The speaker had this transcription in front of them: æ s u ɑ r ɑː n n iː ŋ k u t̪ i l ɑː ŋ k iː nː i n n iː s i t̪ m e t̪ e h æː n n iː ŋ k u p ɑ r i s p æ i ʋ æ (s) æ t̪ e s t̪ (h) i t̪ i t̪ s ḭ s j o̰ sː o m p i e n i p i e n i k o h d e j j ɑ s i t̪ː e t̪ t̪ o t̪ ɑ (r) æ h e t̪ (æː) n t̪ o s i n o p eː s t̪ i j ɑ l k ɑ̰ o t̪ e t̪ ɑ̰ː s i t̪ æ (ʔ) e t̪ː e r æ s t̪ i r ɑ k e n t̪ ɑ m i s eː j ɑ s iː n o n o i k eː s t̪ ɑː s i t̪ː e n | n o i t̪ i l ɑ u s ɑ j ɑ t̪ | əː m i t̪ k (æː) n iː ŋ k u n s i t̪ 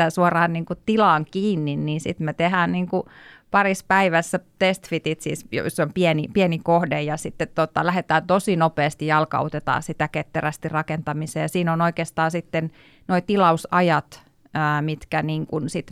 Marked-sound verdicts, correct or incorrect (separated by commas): incorrect, incorrect, incorrect, correct, incorrect, incorrect